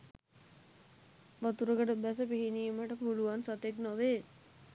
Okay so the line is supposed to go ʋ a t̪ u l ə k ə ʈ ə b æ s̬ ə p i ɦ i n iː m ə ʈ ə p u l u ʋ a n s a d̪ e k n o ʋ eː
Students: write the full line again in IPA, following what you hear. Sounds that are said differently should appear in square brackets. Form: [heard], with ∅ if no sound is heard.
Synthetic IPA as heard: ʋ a t̪ u [ɾ] ə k ə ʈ ə b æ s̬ ə p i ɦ i n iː m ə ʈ ə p u l u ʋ a n s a [t̪] e k n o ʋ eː

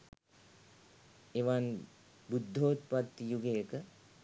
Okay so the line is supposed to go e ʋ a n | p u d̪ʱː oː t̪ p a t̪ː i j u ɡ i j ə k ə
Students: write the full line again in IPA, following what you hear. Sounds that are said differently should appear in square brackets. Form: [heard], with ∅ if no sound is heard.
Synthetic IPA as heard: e ʋ a n | [b] u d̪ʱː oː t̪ p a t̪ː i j u ɡ [e] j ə k ə

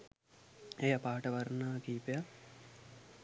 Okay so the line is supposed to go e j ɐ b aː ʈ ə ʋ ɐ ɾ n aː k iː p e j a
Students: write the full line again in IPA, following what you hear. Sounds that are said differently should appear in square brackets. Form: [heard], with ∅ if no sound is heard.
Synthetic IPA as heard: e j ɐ [p] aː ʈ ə ʋ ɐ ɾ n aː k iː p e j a

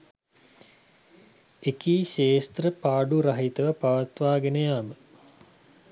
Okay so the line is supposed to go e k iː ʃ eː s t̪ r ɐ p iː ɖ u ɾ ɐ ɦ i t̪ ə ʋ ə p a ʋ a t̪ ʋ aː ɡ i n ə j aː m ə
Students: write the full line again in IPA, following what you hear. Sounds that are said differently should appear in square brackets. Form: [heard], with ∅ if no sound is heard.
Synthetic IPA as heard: e k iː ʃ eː s t̪ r [ə] p [aː] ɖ u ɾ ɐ ɦ i t̪ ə ʋ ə p a ʋ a t̪ ʋ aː ɡ [e] n ə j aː m ə

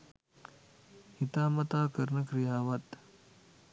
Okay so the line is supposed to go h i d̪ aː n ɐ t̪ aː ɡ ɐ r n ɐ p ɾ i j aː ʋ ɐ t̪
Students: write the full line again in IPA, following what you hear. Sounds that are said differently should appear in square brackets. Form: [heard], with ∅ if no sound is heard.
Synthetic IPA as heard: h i [t̪] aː [m] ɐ t̪ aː [k] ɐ [ɾ] n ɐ [k] ɾ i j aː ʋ ɐ t̪

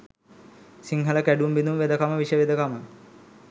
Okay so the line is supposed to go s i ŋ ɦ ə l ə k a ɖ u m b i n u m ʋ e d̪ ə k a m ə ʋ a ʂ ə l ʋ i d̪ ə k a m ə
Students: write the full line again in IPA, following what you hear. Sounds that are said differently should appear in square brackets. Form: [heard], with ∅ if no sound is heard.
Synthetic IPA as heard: s i ŋ ɦ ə l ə k [æ] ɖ u m b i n u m ʋ e d̪ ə k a m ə ʋ [i] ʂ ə [∅] ʋ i d̪ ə k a m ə

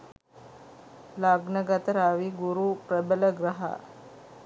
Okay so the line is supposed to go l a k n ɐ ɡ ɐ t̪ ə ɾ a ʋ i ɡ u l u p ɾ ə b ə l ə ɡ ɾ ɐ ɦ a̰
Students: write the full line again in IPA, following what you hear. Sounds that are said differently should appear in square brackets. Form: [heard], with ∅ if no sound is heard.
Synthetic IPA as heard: l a [ɡ] n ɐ ɡ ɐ t̪ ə ɾ a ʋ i ɡ u [ɾ] u p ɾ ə b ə l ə ɡ ɾ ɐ ɦ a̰

